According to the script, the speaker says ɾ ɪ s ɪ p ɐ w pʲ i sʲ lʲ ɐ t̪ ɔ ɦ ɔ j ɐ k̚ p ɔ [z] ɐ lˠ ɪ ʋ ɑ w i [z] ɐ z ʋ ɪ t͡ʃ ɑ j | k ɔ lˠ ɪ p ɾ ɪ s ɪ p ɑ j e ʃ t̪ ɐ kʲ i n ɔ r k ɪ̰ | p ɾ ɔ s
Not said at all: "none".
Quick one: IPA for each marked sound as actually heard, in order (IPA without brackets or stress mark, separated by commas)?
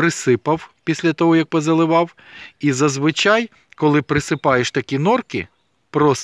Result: z, z